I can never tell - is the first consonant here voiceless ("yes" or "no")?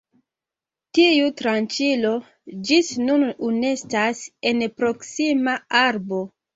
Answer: yes